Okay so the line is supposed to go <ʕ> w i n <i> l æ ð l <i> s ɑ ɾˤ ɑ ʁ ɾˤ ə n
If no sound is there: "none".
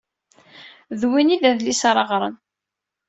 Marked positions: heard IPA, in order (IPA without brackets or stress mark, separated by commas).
ð, i, i